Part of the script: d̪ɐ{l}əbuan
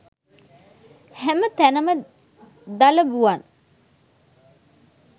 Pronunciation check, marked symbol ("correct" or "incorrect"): correct